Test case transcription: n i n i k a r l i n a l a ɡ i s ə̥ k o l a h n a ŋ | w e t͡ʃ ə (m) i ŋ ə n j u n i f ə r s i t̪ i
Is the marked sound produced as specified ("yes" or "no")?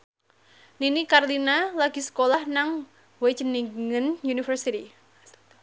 no